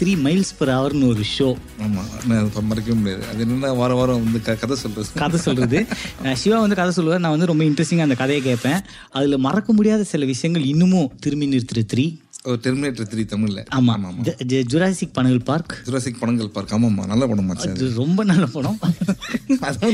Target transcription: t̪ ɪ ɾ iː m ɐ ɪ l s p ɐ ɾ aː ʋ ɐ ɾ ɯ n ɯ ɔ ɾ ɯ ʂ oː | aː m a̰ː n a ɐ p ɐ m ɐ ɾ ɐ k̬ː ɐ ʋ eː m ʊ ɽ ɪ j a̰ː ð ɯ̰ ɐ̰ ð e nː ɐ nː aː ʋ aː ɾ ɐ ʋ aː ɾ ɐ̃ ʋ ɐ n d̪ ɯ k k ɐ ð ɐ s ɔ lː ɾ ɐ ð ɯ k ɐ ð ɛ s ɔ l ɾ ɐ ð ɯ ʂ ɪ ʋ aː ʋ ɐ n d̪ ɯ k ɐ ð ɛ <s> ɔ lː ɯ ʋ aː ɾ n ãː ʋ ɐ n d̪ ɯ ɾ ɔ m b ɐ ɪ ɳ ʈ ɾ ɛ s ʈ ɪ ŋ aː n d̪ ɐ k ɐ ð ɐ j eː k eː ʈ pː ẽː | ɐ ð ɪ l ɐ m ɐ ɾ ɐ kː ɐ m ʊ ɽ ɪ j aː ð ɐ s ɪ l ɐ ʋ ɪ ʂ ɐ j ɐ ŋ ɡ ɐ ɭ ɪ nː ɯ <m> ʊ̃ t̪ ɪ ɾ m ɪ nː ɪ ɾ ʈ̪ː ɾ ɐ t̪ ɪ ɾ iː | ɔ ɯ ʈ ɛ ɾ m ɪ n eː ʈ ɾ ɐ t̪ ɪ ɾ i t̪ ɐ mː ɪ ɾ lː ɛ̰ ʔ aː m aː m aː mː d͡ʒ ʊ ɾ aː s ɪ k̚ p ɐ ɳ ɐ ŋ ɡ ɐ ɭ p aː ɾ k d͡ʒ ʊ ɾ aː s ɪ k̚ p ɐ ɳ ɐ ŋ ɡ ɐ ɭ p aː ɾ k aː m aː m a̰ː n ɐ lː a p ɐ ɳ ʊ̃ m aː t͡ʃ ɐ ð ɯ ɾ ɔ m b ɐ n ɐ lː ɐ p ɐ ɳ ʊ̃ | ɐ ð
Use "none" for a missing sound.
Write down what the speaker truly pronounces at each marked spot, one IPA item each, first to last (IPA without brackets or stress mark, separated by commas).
s, m